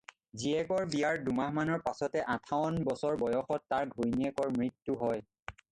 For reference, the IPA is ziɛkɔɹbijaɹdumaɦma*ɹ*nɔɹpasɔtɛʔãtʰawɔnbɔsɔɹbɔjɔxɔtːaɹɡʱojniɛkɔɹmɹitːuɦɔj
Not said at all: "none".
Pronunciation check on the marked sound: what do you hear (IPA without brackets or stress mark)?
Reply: none